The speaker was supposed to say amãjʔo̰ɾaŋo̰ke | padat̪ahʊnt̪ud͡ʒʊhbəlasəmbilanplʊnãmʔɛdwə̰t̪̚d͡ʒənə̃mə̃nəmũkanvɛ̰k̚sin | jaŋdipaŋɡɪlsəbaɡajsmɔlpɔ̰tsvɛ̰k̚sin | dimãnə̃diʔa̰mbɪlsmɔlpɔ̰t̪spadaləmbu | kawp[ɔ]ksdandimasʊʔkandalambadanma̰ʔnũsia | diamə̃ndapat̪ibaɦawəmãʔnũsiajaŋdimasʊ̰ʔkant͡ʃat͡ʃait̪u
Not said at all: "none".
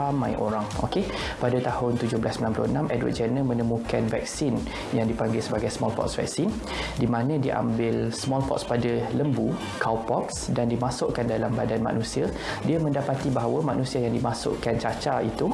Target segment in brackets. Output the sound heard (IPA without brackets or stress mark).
ɔ